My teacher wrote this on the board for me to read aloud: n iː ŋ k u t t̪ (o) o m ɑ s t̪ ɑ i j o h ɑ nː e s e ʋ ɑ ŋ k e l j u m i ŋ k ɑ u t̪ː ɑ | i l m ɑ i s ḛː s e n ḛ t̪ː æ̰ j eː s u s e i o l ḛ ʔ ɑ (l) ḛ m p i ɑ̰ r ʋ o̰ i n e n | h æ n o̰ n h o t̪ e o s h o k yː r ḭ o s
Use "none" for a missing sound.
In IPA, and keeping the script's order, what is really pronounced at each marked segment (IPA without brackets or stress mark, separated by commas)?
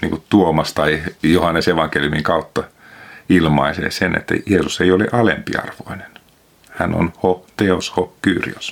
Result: u, l